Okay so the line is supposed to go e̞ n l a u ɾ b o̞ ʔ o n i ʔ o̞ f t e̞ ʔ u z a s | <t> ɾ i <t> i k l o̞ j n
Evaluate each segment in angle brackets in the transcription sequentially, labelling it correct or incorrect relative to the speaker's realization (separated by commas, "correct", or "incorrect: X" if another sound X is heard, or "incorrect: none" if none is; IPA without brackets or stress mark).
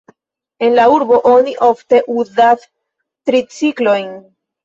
correct, incorrect: t͡s